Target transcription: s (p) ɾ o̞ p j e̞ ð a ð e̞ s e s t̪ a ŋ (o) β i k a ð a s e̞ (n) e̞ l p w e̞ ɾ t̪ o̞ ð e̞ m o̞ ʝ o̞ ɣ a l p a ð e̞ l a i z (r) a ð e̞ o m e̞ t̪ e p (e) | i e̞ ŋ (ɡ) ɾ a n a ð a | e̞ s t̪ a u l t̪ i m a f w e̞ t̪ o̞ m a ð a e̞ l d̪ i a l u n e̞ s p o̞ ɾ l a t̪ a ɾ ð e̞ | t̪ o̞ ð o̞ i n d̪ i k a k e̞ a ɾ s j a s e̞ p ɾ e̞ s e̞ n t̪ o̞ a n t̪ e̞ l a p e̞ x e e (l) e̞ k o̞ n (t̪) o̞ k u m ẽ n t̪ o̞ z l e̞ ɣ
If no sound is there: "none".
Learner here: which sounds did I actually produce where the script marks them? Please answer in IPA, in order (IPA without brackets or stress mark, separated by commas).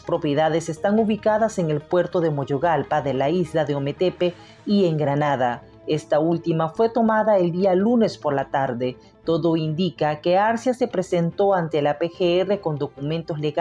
p, u, ŋ, l, e, ɡ, r, d̪